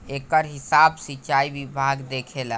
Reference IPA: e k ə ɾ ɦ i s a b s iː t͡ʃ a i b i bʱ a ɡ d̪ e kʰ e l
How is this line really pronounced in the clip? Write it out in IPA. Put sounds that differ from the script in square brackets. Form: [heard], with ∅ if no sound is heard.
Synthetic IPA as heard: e k ə ɾ ɦ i s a b s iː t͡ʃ a i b i bʱ a ɡ d̪ e kʰ e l